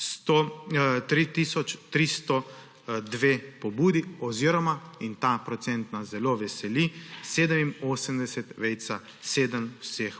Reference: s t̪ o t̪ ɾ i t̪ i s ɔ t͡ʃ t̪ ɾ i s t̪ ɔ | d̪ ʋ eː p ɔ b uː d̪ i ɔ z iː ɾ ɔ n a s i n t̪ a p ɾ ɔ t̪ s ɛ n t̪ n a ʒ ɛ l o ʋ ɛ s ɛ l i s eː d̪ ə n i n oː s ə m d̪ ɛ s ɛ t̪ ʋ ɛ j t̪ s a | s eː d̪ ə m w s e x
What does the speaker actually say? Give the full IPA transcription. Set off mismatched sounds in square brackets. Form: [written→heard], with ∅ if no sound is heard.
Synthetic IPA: s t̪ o t̪ ɾ i t̪ i s ɔ t͡ʃ t̪ ɾ i s t̪ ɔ | d̪ ʋ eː p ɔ b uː d̪ i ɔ z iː ɾ ɔ [n→m] a [s→∅] i n t̪ a p ɾ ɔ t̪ s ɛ n t̪ n a [ʒ→z] ɛ l o ʋ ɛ s ɛ l i s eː d̪ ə [n→m] i n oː s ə m d̪ ɛ s ɛ t̪ ʋ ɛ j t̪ s a | s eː d̪ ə m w s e x